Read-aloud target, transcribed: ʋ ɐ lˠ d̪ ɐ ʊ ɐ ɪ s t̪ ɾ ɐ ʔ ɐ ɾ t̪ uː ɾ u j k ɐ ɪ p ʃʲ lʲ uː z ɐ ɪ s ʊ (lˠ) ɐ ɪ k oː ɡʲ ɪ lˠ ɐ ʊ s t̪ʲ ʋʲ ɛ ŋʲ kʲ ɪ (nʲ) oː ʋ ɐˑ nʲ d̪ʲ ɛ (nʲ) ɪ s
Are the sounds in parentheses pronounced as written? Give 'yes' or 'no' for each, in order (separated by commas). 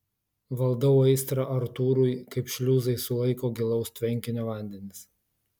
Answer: yes, yes, yes